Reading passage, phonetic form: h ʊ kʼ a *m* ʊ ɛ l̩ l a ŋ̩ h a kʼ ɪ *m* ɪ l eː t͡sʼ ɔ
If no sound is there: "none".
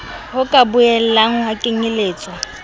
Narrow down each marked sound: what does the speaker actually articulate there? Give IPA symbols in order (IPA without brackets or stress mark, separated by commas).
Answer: b, ŋ